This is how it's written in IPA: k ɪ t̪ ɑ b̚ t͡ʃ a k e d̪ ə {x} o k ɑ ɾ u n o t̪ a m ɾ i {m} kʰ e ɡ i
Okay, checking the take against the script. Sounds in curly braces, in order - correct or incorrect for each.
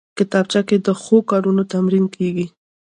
correct, incorrect

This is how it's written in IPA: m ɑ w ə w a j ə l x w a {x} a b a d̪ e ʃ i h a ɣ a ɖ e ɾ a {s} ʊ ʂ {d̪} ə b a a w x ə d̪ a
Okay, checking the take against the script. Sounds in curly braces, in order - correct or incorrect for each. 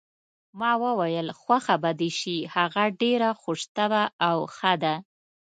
correct, incorrect, incorrect

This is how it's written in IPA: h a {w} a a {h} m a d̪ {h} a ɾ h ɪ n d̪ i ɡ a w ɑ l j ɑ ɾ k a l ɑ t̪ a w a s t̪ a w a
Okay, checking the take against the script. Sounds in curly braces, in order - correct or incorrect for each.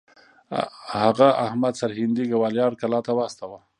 incorrect, correct, incorrect

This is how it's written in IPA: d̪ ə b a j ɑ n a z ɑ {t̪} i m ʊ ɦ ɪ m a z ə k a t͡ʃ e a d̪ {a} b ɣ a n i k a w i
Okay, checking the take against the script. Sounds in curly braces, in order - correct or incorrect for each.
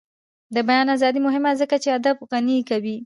incorrect, correct

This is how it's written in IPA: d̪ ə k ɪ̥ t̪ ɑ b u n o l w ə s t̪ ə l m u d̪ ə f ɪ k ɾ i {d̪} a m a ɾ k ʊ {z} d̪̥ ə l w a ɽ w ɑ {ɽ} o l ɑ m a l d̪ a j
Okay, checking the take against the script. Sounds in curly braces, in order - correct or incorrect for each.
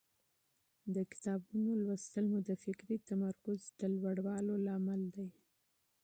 incorrect, correct, incorrect

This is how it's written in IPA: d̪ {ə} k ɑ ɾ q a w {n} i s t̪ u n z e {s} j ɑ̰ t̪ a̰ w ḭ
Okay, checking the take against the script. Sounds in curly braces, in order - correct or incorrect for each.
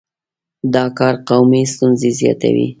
incorrect, incorrect, incorrect

